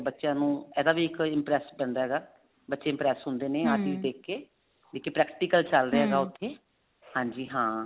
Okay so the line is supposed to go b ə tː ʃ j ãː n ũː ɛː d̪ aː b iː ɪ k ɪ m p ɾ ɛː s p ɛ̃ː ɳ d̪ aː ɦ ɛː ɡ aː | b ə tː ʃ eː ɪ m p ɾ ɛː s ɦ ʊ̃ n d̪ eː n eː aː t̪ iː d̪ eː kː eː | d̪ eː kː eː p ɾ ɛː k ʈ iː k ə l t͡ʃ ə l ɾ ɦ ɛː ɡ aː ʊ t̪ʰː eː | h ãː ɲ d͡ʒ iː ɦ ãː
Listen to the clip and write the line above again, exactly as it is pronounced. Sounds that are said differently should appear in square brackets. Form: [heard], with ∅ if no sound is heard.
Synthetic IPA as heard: b ə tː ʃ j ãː n ũː ɛː d̪ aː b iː ɪ k ɪ m p ɾ ɛː s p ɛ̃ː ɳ d̪ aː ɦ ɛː ɡ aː | b ə tː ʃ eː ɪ m p ɾ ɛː s ɦ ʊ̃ n d̪ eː n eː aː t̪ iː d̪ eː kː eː | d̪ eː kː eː p ɾ ɛː k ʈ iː k ə l t͡ʃ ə l ɾ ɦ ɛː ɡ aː ʊ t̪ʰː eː | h ãː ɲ d͡ʒ iː ɦ ãː